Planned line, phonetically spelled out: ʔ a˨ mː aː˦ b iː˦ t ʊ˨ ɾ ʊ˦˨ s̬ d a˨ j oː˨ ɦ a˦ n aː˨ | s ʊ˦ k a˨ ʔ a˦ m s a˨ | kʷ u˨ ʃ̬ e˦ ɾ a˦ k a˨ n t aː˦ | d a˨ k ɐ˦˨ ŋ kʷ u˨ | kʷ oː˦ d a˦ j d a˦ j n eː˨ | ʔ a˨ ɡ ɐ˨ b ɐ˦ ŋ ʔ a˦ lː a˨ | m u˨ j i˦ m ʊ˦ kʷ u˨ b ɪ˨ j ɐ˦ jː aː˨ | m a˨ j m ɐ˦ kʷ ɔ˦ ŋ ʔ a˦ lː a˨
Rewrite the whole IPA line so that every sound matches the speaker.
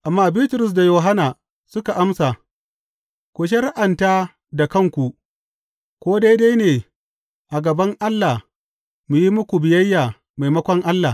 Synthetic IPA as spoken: ʔ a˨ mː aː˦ b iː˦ t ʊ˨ ɾ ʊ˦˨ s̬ d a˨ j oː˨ ɦ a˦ n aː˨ | s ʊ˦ k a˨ ʔ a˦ m s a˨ | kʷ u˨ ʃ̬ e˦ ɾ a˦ ʔ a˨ n t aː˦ | d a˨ k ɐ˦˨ ŋ kʷ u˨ | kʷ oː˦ d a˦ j d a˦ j n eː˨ | ʔ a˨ ɡ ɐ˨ b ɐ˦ ŋ ʔ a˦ lː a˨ | m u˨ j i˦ m ʊ˦ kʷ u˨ b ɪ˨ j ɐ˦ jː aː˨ | m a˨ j m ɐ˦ kʷ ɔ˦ ŋ ʔ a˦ lː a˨